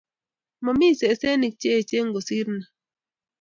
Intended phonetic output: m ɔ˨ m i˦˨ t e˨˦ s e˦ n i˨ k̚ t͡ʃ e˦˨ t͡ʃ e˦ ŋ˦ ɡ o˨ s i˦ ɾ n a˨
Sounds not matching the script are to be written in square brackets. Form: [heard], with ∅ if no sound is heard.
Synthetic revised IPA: m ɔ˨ m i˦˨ [s] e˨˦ s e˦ n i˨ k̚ t͡ʃ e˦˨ t͡ʃ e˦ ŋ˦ ɡ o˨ s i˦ ɾ n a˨